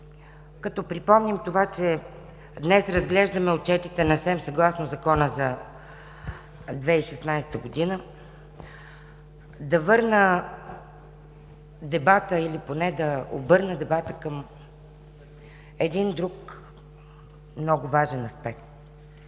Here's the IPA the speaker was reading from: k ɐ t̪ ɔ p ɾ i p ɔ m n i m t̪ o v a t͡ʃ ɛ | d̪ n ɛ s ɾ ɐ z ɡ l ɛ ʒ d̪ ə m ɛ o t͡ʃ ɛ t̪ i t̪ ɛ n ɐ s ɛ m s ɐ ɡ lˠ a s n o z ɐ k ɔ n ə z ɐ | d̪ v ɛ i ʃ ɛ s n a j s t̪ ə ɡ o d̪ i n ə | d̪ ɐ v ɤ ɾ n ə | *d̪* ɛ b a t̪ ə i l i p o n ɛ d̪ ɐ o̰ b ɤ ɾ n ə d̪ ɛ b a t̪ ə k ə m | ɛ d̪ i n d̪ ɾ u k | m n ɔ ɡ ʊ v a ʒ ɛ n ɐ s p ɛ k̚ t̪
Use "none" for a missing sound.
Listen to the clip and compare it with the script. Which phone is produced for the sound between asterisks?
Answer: d̪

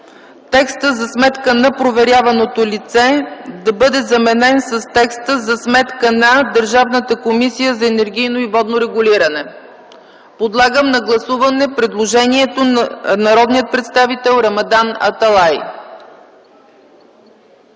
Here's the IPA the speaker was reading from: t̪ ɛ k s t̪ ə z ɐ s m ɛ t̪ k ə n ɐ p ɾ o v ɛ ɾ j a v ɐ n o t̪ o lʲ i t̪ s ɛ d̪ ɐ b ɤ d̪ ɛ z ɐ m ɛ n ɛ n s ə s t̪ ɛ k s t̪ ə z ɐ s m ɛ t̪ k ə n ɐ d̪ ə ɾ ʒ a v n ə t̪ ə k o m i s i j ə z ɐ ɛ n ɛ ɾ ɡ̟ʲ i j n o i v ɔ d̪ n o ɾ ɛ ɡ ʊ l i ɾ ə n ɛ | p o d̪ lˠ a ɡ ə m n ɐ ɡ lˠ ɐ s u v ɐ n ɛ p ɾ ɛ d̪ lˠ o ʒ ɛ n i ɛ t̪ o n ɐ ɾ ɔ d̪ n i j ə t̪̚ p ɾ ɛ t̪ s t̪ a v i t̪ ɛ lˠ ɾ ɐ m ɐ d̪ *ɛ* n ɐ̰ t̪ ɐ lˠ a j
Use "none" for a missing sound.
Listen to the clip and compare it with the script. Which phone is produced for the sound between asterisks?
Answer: a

